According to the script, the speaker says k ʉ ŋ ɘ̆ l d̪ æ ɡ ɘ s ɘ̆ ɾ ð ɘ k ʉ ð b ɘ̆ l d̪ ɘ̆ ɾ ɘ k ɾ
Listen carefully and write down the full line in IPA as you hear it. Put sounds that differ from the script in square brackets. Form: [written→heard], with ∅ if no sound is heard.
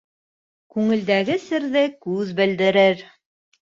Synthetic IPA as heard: k ʉ ŋ ɘ̆ l d̪ æ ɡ ɘ s ɘ̆ ɾ ð ɘ k ʉ ð b ɘ̆ l d̪ ɘ̆ ɾ ɘ [k→∅] ɾ